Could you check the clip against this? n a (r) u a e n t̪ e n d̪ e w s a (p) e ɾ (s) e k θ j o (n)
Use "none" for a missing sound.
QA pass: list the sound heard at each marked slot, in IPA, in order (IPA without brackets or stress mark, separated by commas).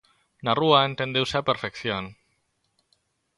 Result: r, p, f, n